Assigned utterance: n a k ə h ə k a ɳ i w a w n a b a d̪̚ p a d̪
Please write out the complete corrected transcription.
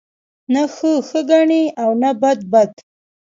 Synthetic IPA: n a x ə x ə ɡ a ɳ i a w n a b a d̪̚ b a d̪